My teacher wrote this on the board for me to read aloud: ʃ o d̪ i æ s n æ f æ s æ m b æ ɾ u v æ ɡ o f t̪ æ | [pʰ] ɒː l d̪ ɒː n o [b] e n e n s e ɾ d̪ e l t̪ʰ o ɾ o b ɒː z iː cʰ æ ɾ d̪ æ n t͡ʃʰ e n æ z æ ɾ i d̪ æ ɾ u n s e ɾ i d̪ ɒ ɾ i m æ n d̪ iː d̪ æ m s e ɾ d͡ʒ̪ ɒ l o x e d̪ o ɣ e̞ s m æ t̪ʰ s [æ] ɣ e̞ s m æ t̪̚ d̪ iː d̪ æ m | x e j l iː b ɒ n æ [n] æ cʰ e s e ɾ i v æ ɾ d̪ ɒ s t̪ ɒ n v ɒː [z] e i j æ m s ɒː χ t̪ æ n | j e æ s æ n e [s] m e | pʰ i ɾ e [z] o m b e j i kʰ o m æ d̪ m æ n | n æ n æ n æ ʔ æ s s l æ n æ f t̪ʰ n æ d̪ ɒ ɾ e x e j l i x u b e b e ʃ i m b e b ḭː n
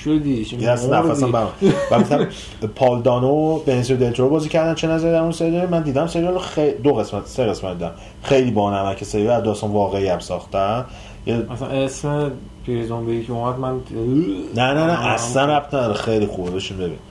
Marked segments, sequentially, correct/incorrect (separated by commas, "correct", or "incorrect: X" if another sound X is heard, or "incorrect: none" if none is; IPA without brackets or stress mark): correct, correct, incorrect: e, incorrect: m, incorrect: ɣ, correct, correct